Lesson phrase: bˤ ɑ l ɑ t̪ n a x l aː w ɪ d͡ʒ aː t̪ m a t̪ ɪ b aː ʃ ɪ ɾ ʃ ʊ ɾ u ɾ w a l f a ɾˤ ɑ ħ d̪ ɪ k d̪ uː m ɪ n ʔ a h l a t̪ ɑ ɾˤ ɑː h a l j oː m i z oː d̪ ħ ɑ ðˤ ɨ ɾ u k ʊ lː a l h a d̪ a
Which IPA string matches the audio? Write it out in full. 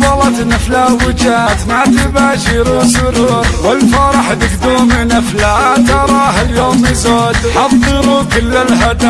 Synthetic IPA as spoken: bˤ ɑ l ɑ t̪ n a f l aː w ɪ d͡ʒ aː t̪ m a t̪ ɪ b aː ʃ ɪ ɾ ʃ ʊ ɾ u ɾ w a l f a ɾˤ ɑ ħ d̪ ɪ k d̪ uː m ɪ n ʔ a f l a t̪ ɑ ɾˤ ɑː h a l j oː m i z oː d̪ ħ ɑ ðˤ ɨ ɾ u k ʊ lː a l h a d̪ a

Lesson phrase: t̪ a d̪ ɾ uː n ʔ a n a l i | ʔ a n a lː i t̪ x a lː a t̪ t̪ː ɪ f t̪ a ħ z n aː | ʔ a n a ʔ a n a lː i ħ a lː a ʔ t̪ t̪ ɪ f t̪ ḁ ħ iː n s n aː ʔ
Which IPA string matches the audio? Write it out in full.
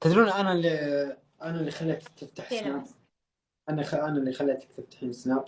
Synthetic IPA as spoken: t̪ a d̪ ɾ uː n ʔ a n a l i | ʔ a n a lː i x a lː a t̪ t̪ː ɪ f t̪ a ħ s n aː | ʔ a n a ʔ a n a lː i x a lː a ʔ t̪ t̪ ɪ f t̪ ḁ ħ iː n s n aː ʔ

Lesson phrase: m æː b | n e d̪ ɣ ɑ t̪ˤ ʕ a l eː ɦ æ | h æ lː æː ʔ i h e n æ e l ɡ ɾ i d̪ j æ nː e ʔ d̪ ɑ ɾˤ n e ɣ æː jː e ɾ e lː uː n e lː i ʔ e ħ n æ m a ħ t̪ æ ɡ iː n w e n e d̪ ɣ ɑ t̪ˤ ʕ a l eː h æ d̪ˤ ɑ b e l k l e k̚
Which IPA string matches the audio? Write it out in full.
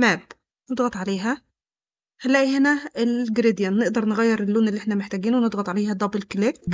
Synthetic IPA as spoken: m æː b | n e d̪ ɣ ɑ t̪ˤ ʕ a l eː ɦ æ | h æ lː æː ʔ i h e n æ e l ɡ ɾ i d̪ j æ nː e ʔ d̪ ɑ ɾˤ n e ɣ æ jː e ɾ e lː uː n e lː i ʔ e ħ n æ m e ħ t̪ æ ɡ iː n w e n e d̪ ɣ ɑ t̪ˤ ʕ a l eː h æ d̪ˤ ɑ b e l k l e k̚

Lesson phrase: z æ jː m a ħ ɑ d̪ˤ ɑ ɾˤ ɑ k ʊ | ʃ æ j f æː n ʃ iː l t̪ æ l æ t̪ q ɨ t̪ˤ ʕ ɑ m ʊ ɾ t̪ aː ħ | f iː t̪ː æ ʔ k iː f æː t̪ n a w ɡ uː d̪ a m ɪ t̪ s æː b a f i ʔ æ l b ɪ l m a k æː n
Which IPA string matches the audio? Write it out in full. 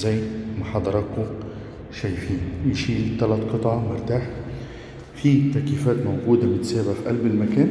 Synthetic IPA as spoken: z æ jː m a ħ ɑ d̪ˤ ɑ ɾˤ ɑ k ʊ | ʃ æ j f iː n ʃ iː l t̪ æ l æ t̪ q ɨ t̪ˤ ʕ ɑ m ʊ ɾ t̪ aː ħ | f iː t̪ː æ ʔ k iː f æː t̪ m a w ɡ uː d̪ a m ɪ t̪ s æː b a f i ʔ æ l b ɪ l m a k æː n

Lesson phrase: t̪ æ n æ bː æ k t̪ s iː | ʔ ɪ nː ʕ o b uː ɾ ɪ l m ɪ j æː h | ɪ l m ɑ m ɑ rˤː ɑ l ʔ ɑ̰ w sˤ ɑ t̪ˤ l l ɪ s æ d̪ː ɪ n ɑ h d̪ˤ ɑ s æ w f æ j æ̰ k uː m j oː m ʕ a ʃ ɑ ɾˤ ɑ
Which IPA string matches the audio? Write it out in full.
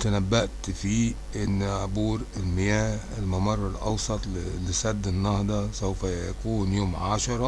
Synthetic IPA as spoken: t̪ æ n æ bː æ ʔ t̪ f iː | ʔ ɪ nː ʕ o b uː ɾ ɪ l m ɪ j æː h | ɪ l m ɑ m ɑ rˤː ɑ l ʔ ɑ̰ w sˤ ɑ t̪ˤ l l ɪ s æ d̪ː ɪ nː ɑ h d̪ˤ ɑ s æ w f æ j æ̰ k uː n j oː m ʕ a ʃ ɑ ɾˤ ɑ

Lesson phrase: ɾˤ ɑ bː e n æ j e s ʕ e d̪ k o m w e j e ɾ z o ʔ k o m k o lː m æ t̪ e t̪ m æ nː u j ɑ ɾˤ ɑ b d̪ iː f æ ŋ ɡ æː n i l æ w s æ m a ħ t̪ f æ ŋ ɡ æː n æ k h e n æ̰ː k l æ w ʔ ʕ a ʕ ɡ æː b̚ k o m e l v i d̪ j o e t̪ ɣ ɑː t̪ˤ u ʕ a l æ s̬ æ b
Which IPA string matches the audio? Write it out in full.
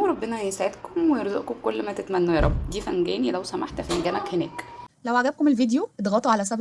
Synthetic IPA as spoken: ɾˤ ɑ bː e n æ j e s ʕ e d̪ k o m w e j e ɾ z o ʔ k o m k o lː m æ t̪ e t̪ m æ nː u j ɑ ɾˤ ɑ b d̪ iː f æ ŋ ɡ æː n i l æ w s æ m a ħ t̪ f æ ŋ ɡ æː n æ k h e n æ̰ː k l æ w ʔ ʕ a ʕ ɡ æ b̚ k o m e l v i d̪ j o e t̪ ɣ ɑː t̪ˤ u ʕ a l æ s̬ æ b

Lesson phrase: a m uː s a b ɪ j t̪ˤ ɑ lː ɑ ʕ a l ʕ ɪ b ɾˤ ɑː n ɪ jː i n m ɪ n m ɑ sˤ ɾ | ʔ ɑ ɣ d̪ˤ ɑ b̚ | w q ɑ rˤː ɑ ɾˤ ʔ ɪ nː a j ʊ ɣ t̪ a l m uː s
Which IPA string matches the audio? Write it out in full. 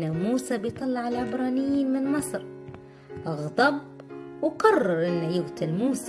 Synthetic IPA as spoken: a m uː s a b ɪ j t̪ˤ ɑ lː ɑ ʕ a l ʕ ɪ b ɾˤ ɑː n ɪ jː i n m ɪ n m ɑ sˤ ɾ | ʔ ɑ ɣ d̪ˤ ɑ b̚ | w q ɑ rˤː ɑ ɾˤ ʔ ɪ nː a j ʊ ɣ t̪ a l m uː s

